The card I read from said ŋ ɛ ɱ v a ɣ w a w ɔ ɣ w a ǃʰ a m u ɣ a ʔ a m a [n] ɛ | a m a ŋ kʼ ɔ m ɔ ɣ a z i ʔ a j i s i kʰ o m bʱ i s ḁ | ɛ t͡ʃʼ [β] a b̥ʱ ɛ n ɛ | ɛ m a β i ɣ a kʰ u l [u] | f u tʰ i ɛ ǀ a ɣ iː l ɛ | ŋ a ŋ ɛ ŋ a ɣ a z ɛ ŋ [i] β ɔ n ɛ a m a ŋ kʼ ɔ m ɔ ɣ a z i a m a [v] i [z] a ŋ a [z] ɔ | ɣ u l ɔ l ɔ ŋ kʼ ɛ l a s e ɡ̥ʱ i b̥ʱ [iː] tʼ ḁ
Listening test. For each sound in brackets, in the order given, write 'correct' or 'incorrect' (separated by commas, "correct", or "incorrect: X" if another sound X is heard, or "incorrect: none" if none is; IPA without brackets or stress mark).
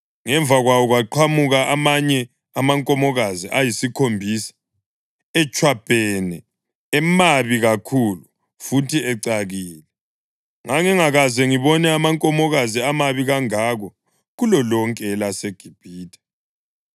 incorrect: ɲ, incorrect: w, correct, correct, incorrect: β, incorrect: ɣ, incorrect: ɣ, correct